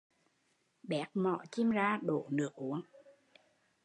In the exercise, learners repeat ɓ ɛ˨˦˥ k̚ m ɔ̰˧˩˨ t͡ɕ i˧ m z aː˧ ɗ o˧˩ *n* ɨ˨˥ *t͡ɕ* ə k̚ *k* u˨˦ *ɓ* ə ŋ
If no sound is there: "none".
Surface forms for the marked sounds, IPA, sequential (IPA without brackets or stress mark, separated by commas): n, none, ʔ, none